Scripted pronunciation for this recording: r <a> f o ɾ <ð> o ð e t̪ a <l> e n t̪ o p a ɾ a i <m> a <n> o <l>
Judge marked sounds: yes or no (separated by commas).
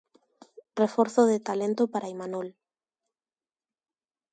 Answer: no, no, yes, yes, yes, yes